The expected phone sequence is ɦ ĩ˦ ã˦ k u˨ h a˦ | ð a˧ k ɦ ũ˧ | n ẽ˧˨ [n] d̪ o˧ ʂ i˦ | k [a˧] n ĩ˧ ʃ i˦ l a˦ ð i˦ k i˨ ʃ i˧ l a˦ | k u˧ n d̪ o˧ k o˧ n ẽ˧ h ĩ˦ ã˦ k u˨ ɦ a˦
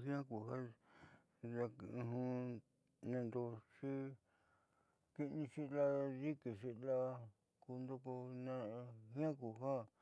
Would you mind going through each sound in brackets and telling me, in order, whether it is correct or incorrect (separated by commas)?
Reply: correct, incorrect